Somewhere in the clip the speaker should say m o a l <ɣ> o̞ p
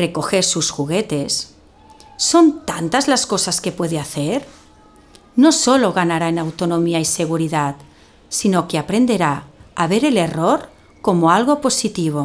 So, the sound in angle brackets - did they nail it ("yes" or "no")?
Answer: yes